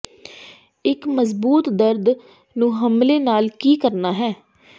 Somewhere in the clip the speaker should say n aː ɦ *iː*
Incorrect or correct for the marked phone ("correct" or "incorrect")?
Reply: incorrect